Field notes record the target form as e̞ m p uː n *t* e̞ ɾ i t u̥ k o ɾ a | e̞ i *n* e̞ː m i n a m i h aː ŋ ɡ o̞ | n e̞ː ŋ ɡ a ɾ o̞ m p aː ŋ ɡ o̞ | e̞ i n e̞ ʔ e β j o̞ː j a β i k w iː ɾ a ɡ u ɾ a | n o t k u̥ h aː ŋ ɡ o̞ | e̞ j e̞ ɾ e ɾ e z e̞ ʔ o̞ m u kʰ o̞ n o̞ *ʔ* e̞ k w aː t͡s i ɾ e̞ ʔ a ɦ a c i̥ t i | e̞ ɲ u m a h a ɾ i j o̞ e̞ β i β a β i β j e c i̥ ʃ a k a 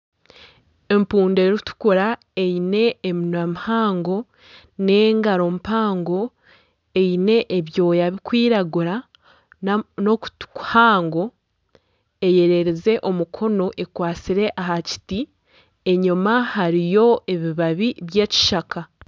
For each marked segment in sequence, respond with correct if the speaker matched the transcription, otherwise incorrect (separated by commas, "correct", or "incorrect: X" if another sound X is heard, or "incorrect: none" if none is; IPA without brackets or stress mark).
incorrect: d, correct, correct